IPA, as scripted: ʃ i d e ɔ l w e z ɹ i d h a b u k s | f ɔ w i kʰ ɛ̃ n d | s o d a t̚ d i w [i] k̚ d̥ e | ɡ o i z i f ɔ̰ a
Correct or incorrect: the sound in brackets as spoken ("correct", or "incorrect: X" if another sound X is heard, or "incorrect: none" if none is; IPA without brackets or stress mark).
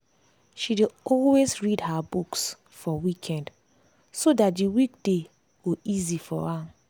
correct